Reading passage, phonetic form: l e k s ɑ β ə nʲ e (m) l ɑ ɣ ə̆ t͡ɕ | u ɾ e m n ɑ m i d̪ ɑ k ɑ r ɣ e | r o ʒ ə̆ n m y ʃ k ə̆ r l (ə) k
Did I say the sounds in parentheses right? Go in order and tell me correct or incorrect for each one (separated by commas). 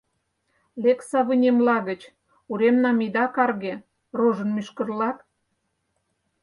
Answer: correct, incorrect